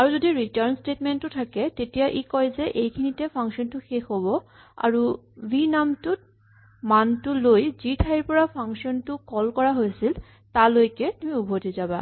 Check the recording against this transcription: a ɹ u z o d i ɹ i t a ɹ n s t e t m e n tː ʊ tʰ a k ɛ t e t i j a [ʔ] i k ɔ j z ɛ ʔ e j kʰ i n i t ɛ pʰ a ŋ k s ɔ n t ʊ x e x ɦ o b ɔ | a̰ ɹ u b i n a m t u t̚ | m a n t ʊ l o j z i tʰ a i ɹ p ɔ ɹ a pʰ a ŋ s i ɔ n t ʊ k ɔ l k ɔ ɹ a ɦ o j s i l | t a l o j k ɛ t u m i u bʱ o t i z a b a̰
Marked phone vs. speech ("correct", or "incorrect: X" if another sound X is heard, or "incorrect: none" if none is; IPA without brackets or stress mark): correct